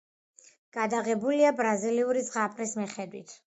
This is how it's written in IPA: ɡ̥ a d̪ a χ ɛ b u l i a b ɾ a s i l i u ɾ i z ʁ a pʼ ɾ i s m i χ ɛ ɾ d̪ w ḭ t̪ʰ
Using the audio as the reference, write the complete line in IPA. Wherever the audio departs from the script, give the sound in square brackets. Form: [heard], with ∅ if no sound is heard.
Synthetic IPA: ɡ̥ a d̪ a [ʁ] ɛ b u l i a b ɾ a [z] i l i u ɾ i z ʁ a pʼ ɾ i s m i χ ɛ [∅] d̪ w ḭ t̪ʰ

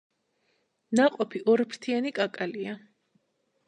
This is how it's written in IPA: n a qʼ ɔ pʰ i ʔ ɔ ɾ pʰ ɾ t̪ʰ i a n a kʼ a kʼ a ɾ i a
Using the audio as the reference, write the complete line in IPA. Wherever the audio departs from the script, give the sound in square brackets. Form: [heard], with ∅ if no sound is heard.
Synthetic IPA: n a qʼ ɔ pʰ i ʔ ɔ ɾ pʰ ɾ t̪ʰ i a n [i] kʼ a kʼ a [l] i a

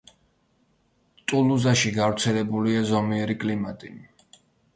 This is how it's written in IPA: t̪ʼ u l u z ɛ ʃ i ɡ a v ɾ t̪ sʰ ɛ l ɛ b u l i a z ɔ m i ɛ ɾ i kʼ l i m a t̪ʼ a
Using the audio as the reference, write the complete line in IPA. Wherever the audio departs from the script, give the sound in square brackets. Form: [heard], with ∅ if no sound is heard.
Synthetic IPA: t̪ʼ u l u z [a] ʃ i ɡ a v ɾ t̪ sʰ ɛ l ɛ b u l i a z ɔ m i ɛ ɾ i kʼ l i m a t̪ʼ [i]

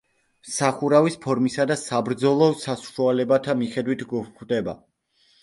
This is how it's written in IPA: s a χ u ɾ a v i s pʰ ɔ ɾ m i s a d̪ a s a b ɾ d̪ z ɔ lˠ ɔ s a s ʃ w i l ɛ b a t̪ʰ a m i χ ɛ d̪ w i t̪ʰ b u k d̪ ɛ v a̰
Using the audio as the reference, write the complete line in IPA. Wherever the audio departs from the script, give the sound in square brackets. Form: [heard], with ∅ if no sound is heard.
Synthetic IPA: s a χ u ɾ a v i s pʰ ɔ ɾ m i s a d̪ a s a b ɾ d̪ z ɔ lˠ ɔ s a s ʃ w [a] l ɛ b a t̪ʰ a m i χ ɛ d̪ w i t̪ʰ [ɡ] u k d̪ ɛ [b] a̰

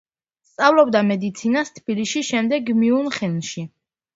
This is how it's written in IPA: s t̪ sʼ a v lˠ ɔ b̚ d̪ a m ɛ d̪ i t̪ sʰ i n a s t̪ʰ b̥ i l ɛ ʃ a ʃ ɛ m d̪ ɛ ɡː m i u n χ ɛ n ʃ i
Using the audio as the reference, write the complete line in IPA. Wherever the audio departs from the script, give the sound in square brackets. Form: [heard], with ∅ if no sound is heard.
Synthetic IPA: s t̪ sʼ a v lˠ ɔ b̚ d̪ a m ɛ d̪ i t̪ sʰ i n a s t̪ʰ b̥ i l [i] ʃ [i] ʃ ɛ m d̪ ɛ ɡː m i u n χ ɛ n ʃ i

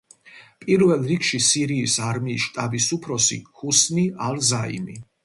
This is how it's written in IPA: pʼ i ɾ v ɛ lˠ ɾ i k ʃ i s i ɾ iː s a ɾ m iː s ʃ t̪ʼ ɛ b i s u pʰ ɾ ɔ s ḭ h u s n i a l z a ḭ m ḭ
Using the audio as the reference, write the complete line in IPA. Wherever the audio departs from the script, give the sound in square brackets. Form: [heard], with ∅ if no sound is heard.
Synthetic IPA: pʼ i ɾ v ɛ lˠ ɾ i k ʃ i s i ɾ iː s a ɾ m iː s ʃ t̪ʼ [a] b i s u pʰ ɾ ɔ s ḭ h u s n i a l z a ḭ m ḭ

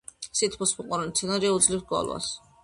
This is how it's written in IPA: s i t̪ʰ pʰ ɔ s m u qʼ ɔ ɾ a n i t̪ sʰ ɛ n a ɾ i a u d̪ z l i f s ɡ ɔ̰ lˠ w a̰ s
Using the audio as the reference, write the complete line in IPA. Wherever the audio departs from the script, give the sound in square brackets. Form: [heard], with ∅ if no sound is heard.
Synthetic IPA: s i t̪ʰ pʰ ɔ s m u qʼ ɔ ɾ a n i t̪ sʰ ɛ n a ɾ i a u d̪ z l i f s ɡ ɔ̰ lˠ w a̰ s

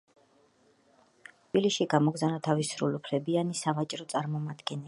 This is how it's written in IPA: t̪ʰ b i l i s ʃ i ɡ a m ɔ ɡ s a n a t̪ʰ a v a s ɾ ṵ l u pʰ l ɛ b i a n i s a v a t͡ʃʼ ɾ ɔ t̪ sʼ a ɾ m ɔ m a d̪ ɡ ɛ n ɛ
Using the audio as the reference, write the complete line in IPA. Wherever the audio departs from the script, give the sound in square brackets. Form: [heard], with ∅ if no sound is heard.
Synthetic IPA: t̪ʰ b i l i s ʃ i ɡ a m ɔ ɡ [z] a n a t̪ʰ a v [i] s ɾ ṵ l u pʰ l ɛ b i a n i s a v a t͡ʃʼ ɾ ɔ t̪ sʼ a ɾ m ɔ m a d̪ ɡ ɛ n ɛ

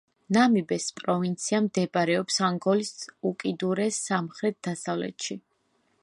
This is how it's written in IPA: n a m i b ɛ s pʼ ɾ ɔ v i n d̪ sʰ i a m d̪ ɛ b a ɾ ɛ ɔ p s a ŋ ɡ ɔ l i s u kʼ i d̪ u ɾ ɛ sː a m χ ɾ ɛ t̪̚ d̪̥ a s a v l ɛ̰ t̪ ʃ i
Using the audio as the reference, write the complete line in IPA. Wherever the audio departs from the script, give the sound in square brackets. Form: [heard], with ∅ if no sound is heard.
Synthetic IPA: n a m i b ɛ s pʼ ɾ ɔ v i n [t̪] sʰ i a m d̪ ɛ b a ɾ ɛ ɔ p s a ŋ ɡ ɔ l i s u kʼ i d̪ u ɾ ɛ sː a m χ ɾ ɛ t̪̚ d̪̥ a s a v l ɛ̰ t̪ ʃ i

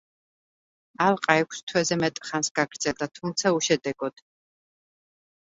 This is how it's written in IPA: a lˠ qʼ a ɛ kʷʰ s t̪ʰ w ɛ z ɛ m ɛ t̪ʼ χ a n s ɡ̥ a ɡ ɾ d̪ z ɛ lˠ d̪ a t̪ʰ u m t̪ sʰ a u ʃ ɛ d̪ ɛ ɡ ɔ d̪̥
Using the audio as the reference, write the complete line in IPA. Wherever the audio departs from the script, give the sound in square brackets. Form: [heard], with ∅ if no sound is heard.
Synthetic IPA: a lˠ qʼ a ɛ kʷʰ s t̪ʰ w ɛ z ɛ m ɛ t̪ʼ χ a n s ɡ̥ a ɡ ɾ d̪ z ɛ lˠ d̪ a t̪ʰ u m t̪ sʰ a u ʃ ɛ d̪ ɛ ɡ ɔ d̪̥

